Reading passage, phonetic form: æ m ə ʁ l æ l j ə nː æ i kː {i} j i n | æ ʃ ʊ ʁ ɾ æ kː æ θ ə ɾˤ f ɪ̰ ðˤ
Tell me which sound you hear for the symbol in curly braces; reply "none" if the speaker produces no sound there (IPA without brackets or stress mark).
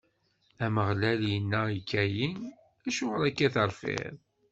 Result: æ